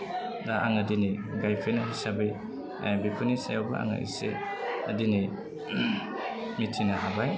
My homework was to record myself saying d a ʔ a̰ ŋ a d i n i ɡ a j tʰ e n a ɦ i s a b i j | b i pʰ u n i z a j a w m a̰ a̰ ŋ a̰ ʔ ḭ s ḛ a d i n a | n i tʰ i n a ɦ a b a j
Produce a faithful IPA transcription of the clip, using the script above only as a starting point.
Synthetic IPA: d a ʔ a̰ ŋ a d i n i ɡ a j pʰ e n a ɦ i s a b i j | b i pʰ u n i s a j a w b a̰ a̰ ŋ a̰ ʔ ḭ s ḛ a d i n i | m i tʰ i n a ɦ a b a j